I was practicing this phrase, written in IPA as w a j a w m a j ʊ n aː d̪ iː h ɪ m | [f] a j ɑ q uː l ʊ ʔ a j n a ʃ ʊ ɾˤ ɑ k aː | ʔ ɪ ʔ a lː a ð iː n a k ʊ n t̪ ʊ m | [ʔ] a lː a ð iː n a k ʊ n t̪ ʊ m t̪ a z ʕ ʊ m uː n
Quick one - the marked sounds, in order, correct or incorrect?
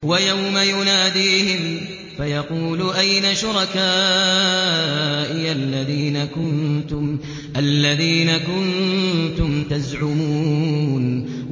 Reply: correct, correct

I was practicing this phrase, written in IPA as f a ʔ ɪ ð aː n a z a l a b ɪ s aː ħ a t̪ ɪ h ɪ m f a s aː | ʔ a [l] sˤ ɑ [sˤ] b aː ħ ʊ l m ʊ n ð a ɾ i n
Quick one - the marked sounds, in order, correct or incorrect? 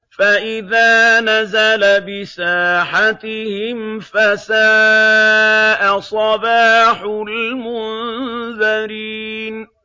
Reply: incorrect: none, incorrect: none

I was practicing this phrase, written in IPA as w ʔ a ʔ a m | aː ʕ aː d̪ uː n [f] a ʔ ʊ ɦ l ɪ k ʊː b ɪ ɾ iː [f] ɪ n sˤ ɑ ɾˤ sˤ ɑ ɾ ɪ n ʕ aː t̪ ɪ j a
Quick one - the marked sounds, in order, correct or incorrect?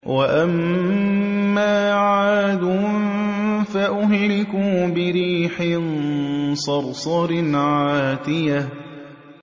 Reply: correct, incorrect: ħ

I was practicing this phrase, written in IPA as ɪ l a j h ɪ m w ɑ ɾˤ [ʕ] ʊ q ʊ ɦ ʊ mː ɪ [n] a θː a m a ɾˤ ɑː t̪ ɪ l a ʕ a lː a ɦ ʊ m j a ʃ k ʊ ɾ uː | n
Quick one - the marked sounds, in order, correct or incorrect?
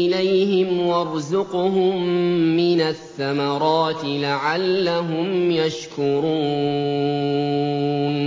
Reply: incorrect: z, correct

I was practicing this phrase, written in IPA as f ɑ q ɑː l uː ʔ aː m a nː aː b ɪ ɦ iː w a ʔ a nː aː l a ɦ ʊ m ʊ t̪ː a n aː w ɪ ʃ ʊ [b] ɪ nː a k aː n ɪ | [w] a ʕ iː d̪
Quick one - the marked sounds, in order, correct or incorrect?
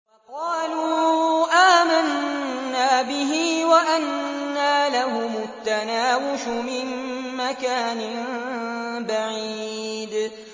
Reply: incorrect: m, incorrect: b

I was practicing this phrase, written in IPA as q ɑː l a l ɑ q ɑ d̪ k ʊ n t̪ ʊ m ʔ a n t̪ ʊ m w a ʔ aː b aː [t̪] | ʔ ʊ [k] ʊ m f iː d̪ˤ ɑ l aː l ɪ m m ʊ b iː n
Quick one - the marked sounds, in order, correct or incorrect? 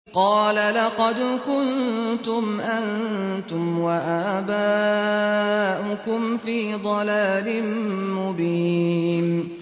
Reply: incorrect: none, correct

